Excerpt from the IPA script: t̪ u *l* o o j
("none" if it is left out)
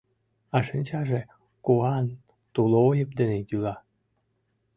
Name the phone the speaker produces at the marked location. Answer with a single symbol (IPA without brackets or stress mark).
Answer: l